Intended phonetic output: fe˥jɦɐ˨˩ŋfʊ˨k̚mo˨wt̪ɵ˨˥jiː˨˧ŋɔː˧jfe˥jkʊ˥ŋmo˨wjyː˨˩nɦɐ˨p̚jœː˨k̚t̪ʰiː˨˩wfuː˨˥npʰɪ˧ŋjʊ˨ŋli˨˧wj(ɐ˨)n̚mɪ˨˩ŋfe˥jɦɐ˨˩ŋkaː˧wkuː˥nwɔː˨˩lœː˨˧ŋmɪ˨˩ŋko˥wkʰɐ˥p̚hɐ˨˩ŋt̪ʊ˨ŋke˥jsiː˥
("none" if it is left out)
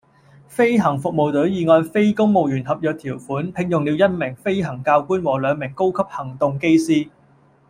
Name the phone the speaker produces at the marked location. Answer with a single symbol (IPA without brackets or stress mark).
ɐ˥